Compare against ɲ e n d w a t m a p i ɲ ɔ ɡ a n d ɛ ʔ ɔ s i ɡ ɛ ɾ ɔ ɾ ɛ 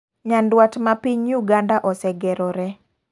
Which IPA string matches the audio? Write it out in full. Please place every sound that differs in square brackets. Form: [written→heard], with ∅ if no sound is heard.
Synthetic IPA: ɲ [e→a] n d w a t m a p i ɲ [ɔ→u] ɡ a n d [ɛ→a] ʔ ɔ s [i→ɛ] ɡ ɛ ɾ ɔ ɾ ɛ